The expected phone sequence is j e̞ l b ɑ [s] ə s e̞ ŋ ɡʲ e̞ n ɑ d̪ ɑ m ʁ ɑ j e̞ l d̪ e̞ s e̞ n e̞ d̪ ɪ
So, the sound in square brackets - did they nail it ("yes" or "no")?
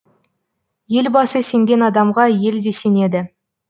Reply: yes